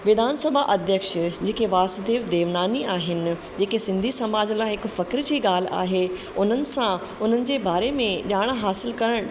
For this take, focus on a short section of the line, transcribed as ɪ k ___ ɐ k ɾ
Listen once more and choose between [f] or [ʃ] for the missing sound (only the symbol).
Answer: f